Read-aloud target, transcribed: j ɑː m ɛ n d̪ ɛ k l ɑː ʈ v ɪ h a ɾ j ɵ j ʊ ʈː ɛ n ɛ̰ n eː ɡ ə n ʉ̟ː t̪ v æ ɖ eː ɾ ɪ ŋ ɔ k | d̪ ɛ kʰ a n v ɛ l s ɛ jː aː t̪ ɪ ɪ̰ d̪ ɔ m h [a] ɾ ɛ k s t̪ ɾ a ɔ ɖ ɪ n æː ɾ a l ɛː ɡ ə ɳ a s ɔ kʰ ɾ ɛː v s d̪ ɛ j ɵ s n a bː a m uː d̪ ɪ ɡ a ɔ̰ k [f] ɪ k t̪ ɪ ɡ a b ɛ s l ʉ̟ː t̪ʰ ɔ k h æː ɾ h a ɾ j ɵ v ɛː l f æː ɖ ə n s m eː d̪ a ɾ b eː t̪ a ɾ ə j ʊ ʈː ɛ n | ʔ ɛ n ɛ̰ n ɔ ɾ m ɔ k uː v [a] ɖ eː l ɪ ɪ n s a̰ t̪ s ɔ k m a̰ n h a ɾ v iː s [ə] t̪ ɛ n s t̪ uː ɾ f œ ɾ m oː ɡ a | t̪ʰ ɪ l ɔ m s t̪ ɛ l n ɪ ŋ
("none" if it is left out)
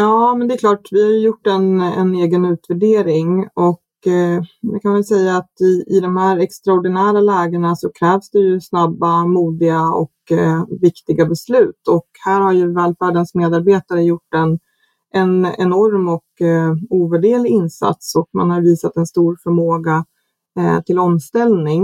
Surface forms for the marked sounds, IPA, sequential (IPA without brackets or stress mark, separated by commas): æ, v, æ, a